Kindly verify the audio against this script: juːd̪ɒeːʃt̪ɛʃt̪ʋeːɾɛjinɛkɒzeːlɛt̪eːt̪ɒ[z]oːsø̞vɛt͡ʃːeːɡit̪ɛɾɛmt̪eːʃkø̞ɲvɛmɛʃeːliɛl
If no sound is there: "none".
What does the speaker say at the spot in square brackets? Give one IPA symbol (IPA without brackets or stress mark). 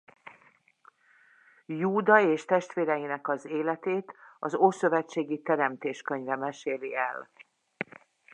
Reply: z